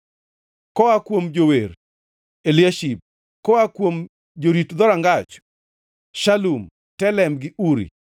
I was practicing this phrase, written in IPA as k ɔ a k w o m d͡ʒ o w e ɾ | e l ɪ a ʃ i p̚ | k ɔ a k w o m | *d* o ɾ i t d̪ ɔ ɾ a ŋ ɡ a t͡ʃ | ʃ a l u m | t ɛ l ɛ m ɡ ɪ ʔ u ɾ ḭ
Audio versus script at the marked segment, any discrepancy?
yes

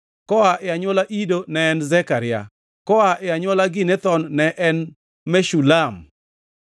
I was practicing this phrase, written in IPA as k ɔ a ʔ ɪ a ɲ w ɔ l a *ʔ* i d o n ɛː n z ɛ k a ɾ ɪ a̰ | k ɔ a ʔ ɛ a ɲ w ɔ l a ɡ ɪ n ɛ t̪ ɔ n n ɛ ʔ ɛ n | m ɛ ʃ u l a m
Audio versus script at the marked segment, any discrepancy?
no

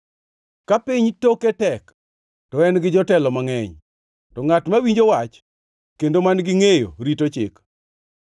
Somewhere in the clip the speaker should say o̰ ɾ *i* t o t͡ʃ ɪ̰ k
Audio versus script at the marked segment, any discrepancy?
no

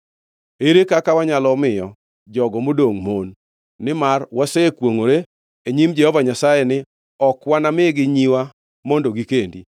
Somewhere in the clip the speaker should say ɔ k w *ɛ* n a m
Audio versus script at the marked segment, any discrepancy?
yes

